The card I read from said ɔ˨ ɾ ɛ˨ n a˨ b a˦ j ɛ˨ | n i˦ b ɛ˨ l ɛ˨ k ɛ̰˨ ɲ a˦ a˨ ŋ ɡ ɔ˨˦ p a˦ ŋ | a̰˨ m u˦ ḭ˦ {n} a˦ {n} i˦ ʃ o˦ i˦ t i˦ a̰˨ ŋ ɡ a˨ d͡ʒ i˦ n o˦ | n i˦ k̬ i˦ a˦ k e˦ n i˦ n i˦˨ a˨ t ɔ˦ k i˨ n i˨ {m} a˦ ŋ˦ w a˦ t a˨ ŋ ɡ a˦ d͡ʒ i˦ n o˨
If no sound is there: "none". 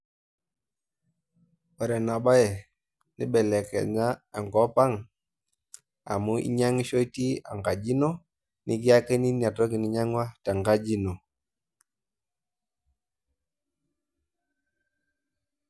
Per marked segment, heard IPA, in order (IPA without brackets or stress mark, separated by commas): ɲ, ŋ, ɲ